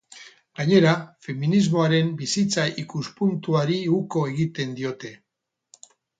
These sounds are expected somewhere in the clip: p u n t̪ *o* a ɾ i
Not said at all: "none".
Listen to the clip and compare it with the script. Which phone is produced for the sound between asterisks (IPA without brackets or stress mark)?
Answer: u